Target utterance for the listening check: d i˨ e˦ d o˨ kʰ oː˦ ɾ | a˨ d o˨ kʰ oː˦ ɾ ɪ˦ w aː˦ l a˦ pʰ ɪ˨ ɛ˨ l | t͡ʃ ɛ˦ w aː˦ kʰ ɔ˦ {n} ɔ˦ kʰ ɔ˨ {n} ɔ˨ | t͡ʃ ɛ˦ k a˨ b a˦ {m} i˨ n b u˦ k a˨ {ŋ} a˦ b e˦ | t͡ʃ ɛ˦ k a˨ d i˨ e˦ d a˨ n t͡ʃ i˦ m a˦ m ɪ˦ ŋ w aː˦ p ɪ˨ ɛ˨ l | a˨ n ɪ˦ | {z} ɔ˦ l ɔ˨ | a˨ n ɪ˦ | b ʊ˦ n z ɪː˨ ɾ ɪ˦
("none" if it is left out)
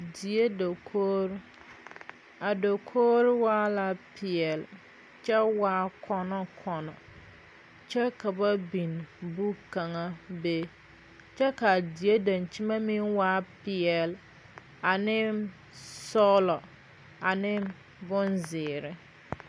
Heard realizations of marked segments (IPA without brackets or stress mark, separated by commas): n, n, b, ŋ, s